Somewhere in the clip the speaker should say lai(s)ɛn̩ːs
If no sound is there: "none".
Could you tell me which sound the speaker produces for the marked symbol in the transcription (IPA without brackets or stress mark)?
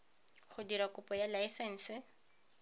s